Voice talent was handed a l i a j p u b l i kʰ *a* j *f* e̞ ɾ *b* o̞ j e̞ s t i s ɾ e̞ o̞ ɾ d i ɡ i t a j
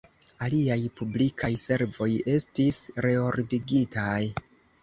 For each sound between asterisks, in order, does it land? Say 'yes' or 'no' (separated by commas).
yes, no, no